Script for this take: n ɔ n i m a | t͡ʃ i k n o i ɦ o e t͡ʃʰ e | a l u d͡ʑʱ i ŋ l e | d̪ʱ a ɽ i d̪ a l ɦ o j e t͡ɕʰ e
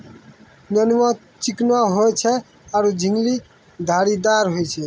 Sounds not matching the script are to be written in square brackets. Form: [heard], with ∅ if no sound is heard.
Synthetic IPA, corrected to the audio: n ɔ n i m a | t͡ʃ i k n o [a] ɦ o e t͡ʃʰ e | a [ɾ] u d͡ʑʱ i ŋ l [i] | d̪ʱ a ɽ i d̪ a [ɾ] ɦ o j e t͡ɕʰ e